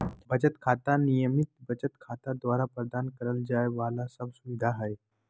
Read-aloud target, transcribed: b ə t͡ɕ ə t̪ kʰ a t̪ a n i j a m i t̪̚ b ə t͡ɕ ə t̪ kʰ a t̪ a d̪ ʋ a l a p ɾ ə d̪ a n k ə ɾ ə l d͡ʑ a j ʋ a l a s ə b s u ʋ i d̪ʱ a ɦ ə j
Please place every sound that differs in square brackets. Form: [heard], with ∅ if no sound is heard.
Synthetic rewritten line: b ə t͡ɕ ə t̪ kʰ a t̪ a n i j [ə] m i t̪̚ b ə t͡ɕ ə t̪ kʰ a t̪ a d̪ ʋ a [ɾ] a p ɾ ə d̪ a n k ə ɾ ə l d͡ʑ a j ʋ a l a s ə b s u ʋ i d̪ʱ a ɦ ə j